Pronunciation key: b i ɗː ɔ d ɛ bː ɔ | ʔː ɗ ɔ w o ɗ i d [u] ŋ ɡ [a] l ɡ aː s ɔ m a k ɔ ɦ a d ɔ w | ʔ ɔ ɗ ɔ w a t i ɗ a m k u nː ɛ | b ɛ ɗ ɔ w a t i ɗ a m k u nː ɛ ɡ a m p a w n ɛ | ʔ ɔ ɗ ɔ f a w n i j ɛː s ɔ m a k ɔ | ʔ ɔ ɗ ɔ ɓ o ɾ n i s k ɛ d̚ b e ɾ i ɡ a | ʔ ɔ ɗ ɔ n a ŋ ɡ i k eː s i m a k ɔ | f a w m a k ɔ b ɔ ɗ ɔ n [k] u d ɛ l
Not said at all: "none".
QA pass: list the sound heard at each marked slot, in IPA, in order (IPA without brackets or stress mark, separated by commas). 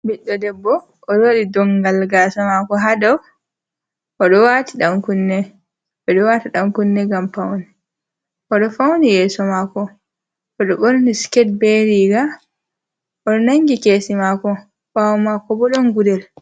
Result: ɔ, a, ɡ